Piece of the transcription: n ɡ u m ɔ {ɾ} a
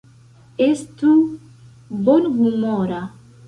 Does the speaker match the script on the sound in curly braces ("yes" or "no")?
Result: yes